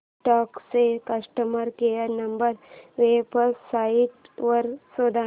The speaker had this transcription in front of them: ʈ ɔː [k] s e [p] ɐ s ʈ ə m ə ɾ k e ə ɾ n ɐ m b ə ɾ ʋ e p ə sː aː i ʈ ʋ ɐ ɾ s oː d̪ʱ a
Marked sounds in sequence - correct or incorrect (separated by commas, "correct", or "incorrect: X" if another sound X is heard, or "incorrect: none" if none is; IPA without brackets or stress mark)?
correct, incorrect: k